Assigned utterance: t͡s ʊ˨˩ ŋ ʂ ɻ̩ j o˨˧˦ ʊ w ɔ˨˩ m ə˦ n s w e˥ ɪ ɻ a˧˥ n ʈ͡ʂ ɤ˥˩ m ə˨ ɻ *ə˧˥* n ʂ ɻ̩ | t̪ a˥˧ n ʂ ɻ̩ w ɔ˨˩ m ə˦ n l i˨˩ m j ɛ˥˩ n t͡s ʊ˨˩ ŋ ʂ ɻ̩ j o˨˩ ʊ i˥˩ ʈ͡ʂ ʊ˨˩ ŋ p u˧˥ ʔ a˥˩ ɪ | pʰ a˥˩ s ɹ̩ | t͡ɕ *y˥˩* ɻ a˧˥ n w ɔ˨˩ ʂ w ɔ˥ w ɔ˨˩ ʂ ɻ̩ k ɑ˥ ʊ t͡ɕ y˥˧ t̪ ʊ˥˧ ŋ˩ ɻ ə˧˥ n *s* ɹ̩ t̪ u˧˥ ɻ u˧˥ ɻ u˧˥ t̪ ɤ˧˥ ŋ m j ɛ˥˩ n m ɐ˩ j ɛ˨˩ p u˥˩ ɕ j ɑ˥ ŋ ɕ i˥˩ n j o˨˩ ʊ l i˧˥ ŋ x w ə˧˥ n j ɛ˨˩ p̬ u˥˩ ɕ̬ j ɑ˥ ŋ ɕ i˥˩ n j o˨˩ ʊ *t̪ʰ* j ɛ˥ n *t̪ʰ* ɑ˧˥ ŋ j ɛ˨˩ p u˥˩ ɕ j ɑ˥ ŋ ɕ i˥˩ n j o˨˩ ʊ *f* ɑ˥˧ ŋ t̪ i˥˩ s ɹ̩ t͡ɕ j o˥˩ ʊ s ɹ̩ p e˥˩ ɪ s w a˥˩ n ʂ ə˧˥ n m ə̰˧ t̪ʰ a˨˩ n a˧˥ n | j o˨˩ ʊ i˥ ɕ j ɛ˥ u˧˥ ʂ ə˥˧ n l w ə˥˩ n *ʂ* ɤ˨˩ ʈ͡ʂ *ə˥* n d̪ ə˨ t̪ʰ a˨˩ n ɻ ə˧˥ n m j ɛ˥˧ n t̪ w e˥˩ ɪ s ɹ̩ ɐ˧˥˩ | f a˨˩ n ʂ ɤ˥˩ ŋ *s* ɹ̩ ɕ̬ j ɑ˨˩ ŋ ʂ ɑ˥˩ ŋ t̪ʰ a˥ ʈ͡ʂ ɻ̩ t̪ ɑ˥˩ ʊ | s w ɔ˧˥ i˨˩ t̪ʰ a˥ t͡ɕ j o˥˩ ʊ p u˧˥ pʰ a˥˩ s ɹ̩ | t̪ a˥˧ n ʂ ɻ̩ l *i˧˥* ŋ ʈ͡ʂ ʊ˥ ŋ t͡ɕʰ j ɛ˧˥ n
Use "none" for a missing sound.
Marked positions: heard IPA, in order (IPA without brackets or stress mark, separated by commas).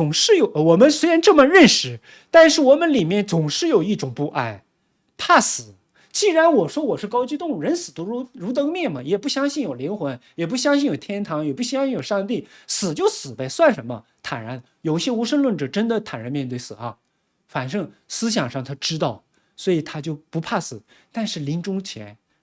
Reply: ə˥˩, i˥˩, s, t̪ʰ, t̪ʰ, ʂ, ʈ͡ʂ, ə˥, s, i˧˥